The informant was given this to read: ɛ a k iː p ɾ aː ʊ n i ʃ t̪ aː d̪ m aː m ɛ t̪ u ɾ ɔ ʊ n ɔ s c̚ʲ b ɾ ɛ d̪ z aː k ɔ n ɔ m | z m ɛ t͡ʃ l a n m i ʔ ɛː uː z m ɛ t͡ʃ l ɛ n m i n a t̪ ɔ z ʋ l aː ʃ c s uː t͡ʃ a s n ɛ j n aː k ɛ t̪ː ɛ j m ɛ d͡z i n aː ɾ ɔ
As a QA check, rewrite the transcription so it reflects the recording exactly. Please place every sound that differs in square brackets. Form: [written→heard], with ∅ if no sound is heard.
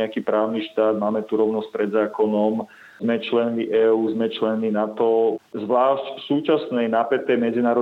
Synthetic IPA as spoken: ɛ a k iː p ɾ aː ʊ n i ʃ t̪ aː d̪ m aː m ɛ t̪ u ɾ ɔ ʊ n ɔ s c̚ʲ [b→p] ɾ ɛ d̪ z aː k ɔ n ɔ m | z m ɛ t͡ʃ l [a→ɛ] n m i ʔ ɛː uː z m ɛ t͡ʃ l ɛ n m i n a t̪ ɔ z ʋ l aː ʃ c s uː t͡ʃ a s n ɛ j n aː [k→p] ɛ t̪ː ɛ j m ɛ d͡z i n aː ɾ ɔ